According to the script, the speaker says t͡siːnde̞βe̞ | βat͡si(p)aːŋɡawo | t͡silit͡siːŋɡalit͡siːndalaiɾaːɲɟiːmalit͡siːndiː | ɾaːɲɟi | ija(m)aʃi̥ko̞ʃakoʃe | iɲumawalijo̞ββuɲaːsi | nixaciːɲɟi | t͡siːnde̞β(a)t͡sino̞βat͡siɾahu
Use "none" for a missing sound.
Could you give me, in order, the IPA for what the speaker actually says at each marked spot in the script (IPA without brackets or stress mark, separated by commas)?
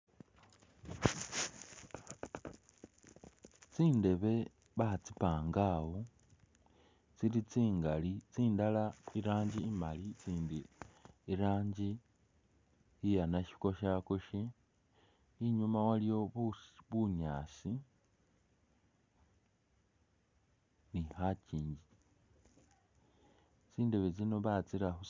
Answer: p, n, e